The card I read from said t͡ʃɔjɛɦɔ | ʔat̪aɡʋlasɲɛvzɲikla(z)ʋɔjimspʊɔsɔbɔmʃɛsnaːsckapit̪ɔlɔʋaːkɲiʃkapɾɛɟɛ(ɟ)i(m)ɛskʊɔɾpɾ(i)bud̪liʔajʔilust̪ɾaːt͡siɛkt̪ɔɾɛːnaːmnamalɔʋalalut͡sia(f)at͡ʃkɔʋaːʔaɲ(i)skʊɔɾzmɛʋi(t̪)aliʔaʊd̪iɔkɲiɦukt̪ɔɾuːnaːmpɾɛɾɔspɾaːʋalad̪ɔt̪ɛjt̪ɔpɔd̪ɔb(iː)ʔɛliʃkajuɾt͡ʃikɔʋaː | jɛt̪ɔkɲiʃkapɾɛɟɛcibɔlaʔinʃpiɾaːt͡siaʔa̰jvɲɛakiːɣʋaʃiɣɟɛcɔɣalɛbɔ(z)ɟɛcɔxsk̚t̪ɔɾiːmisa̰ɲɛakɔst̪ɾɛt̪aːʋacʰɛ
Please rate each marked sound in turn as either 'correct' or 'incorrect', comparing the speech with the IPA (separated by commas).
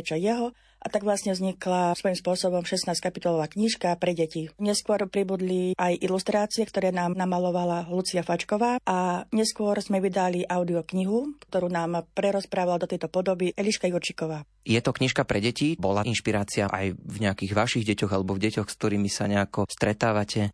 incorrect, incorrect, incorrect, correct, correct, incorrect, incorrect, incorrect, incorrect